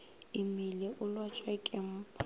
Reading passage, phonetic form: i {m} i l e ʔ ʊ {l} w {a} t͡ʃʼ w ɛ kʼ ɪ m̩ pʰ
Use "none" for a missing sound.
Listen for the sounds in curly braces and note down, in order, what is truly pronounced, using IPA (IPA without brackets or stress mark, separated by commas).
m, l, a